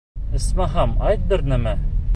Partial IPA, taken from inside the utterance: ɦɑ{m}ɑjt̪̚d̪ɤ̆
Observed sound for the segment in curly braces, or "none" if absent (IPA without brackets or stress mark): m